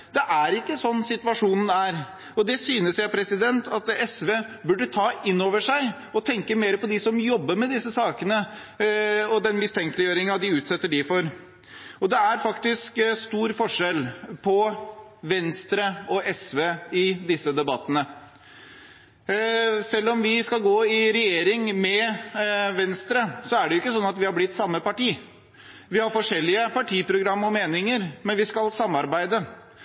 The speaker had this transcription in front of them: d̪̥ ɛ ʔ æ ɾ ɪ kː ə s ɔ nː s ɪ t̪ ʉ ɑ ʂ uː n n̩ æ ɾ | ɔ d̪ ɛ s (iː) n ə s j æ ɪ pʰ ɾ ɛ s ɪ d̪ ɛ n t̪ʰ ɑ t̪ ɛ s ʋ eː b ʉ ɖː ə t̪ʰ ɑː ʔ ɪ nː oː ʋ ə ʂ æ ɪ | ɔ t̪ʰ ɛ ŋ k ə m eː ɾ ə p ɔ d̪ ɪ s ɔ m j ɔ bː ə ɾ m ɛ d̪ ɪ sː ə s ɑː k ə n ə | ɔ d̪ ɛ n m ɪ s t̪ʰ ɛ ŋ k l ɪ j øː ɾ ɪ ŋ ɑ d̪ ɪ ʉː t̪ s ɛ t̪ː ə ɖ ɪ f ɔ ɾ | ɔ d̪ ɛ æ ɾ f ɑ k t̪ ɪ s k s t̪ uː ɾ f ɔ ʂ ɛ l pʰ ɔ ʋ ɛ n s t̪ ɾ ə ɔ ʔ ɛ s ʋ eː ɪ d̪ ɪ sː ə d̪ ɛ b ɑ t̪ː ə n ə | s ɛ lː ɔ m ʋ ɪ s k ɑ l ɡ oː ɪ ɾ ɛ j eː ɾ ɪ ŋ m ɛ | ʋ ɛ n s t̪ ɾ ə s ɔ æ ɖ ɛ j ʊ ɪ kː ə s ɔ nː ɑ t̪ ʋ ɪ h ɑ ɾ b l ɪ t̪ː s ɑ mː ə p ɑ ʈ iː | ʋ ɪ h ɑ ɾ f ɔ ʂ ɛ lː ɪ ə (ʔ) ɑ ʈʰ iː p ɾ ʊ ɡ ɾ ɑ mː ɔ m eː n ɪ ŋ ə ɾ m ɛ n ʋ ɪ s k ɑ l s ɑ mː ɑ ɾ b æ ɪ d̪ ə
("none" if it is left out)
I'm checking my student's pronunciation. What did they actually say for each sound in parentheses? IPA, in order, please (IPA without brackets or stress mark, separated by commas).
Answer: yː, p